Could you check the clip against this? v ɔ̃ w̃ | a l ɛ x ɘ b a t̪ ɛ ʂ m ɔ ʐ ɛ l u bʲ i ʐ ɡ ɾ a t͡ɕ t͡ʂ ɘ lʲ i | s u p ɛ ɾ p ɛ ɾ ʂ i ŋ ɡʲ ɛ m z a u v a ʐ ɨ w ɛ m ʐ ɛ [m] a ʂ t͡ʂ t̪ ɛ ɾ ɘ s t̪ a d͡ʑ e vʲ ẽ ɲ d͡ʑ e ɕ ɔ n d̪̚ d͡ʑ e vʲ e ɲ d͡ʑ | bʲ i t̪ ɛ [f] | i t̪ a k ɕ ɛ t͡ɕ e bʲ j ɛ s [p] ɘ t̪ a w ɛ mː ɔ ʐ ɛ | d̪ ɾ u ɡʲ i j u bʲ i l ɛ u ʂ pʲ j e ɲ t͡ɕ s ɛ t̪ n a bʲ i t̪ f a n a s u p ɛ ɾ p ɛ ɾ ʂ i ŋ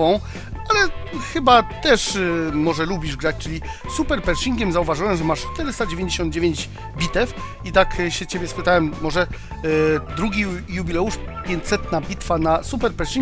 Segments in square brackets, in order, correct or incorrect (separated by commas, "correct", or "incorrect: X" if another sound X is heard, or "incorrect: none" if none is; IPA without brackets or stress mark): correct, correct, correct